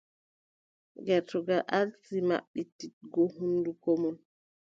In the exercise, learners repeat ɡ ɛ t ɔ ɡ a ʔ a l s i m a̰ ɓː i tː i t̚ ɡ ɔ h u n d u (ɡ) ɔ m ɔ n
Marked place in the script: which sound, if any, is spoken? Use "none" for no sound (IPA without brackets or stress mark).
k